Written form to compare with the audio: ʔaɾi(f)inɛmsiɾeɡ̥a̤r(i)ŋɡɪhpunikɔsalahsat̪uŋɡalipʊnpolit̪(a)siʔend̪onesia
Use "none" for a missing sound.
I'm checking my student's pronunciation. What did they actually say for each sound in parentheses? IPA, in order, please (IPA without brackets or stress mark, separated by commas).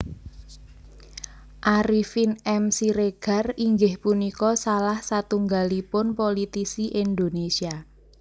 f, i, i